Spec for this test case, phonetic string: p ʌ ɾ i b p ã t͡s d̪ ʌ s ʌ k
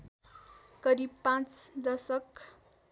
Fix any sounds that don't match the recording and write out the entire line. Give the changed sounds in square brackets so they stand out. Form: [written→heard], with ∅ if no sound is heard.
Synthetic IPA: [p→k] ʌ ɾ i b p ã t͡s d̪ ʌ s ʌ k